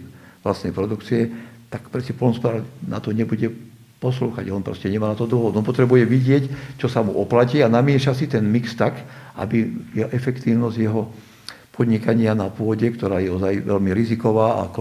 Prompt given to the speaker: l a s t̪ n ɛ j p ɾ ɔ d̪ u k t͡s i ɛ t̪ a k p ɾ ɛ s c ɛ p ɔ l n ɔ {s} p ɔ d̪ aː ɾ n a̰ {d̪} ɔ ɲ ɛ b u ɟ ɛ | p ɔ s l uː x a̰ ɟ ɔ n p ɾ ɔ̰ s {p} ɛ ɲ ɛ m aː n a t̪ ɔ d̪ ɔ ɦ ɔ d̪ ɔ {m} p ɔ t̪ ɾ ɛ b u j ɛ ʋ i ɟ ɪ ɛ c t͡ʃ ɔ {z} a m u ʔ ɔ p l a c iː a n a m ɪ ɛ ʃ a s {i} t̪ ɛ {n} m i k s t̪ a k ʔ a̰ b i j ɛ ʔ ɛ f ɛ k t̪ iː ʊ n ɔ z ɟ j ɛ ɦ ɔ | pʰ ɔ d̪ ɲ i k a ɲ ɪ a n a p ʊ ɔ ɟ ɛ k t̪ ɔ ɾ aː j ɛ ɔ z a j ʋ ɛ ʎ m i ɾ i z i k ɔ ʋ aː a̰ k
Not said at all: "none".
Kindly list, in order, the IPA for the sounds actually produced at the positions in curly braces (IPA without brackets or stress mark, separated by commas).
s, t̪, c, n, s, i, n